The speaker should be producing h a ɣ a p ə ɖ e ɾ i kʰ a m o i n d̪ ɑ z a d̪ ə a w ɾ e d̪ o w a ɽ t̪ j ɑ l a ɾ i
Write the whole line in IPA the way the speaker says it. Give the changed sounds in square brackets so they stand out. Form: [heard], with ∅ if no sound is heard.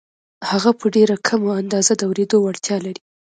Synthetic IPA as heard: h a ɣ a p ə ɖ e ɾ [a] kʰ a m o [a] n d̪ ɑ z a d̪ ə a w ɾ e d̪ o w a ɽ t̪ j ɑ l a ɾ i